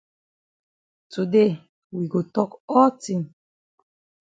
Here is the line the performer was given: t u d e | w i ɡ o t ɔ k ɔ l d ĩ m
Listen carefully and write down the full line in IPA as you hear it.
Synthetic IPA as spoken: t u d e | w i ɡ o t ɔ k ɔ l t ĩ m